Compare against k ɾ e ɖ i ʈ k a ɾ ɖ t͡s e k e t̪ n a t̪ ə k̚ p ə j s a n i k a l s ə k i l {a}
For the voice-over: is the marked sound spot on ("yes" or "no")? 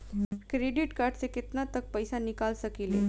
no